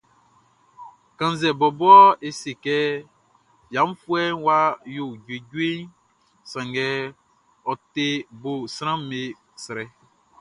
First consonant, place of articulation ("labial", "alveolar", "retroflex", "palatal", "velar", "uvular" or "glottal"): velar